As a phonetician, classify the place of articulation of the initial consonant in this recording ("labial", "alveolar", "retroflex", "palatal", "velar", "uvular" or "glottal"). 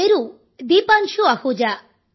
alveolar